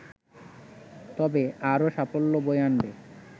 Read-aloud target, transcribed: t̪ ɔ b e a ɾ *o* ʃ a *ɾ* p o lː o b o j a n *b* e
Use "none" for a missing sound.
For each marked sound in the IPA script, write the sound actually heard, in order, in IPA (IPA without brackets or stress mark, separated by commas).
o, none, b